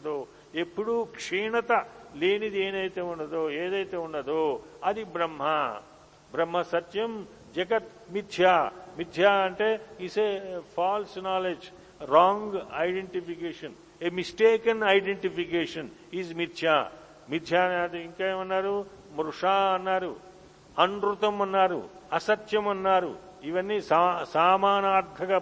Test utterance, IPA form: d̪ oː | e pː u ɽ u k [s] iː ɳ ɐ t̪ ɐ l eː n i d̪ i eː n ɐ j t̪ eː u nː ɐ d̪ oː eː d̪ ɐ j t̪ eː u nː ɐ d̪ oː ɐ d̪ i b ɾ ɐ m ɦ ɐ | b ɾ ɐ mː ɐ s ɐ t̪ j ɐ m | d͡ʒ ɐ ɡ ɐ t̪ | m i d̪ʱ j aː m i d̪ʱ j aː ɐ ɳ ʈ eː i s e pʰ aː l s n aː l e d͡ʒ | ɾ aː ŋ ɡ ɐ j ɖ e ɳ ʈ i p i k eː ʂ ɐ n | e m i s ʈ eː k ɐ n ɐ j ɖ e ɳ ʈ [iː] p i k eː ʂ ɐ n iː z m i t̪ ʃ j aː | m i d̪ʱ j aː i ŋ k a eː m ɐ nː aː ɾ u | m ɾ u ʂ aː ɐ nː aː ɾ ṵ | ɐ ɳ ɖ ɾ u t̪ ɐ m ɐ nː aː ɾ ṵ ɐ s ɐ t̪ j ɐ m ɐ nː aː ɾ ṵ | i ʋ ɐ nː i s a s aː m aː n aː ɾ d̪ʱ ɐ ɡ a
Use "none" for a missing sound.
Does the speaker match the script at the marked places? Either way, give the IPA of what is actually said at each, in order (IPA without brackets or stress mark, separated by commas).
ʂ, i